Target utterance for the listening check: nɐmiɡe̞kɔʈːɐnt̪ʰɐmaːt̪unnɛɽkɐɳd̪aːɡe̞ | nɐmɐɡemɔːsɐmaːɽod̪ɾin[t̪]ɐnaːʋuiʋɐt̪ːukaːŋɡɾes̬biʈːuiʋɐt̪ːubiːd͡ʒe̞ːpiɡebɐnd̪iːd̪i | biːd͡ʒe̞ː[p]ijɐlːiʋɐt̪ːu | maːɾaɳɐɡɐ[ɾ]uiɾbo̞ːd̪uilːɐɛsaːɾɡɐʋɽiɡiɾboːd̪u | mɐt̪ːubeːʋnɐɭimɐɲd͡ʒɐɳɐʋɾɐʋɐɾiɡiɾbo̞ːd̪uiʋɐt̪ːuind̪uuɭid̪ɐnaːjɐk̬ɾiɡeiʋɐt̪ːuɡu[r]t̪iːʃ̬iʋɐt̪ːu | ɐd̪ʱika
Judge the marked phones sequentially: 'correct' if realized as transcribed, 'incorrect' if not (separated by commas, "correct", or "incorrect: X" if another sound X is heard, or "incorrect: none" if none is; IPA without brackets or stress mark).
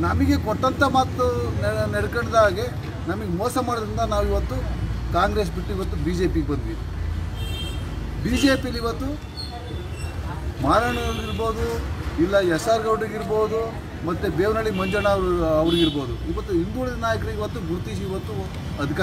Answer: incorrect: d̪, correct, incorrect: ɭ, incorrect: ɾ